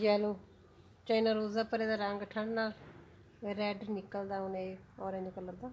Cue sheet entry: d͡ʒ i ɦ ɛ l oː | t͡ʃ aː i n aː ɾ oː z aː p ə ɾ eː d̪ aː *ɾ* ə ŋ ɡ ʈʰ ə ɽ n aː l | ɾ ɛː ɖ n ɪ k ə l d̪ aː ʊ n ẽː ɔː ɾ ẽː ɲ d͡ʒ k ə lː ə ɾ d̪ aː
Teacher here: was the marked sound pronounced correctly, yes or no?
yes